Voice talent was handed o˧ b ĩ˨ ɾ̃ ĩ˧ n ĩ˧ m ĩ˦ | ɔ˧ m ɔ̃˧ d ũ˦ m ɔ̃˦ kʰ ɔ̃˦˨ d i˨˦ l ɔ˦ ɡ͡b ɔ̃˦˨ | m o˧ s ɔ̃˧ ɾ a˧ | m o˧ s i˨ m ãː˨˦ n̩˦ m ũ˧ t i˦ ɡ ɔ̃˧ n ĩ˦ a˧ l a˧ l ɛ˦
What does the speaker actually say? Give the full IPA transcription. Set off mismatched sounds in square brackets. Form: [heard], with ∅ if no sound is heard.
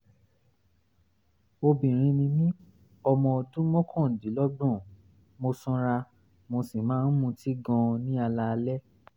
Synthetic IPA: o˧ b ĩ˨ ɾ̃ ĩ˧ n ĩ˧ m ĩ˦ | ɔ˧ m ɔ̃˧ d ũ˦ m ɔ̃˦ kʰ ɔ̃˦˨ d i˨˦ l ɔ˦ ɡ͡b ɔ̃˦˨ | m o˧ s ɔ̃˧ ɾ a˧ | m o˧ s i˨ m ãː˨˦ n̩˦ m ũ˧ t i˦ ɡ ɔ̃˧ n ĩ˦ a˧ l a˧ l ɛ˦